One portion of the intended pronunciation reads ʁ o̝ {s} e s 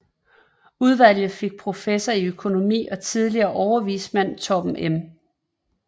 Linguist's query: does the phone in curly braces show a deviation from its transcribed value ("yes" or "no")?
yes